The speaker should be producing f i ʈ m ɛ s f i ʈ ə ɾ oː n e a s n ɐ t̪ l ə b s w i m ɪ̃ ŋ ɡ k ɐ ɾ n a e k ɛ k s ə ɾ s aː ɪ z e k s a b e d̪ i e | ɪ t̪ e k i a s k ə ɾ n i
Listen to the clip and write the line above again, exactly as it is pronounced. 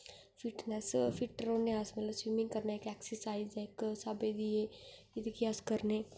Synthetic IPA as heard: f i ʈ n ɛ s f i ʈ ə ɾ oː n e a s m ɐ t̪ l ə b s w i m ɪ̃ ŋ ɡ k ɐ ɾ n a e k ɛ k s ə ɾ s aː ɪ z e k s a b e d̪ i e | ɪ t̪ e k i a s k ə ɾ n e